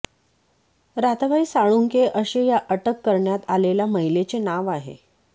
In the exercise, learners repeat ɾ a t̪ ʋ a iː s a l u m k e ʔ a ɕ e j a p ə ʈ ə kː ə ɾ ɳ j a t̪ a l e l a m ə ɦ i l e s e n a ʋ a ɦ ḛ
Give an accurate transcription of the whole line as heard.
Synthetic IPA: ɾ a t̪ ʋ a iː s a ɭ u ŋ k e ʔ ə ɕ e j a ʔ ə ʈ ə kː ə ɾ ɳ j a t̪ a l e l a m ə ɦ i l e t͡s e n a ʋ a ɦ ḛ